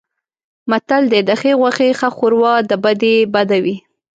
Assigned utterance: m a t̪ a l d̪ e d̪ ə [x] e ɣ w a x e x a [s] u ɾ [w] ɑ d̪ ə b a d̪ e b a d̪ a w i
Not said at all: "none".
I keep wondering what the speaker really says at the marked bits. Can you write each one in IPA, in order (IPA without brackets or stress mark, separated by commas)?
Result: x, x, w